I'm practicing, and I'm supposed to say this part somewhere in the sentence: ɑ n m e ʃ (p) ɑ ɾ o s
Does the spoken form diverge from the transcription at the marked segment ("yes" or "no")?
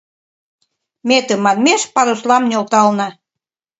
no